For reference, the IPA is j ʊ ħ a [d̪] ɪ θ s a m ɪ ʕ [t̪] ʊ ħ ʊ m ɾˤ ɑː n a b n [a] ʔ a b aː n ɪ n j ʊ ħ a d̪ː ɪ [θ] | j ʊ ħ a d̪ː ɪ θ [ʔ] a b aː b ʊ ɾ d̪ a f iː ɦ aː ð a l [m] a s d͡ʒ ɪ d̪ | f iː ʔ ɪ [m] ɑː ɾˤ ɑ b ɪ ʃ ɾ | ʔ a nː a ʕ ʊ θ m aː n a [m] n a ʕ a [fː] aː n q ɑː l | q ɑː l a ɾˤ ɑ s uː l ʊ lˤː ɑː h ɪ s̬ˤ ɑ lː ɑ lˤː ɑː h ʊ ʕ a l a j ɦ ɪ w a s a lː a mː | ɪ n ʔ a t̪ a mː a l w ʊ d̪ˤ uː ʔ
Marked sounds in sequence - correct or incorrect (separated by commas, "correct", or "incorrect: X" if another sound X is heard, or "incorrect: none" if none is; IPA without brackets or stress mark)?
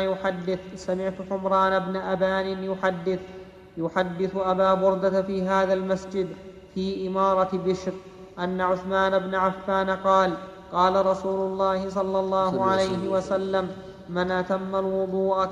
incorrect: d̪ː, correct, correct, correct, correct, correct, correct, incorrect: b, correct